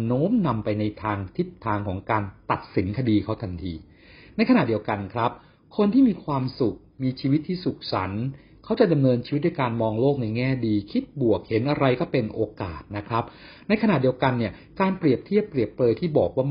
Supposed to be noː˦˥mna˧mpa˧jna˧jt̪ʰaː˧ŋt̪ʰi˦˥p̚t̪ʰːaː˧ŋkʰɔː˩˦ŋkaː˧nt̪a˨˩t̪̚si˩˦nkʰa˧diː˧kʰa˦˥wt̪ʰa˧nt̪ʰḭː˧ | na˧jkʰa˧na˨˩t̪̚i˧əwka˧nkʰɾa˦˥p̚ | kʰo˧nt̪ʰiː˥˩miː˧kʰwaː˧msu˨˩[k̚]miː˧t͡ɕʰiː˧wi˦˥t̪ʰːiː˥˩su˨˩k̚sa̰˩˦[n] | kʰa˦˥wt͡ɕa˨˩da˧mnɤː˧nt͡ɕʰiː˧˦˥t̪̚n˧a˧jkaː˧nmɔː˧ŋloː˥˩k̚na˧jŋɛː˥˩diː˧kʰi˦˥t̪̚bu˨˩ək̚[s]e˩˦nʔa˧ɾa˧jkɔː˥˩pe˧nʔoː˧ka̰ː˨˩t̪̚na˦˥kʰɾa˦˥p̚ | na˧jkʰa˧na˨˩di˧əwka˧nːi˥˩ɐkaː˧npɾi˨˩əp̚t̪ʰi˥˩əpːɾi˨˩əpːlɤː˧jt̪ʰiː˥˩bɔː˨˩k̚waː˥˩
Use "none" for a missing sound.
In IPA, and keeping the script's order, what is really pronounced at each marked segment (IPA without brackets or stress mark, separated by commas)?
k̚, n, h